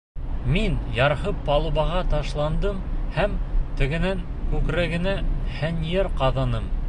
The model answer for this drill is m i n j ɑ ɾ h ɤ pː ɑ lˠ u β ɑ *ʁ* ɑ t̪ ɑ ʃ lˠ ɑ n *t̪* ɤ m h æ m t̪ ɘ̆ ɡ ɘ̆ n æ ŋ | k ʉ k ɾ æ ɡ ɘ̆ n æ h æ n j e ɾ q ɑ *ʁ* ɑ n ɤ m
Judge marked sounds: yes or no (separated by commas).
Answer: yes, no, no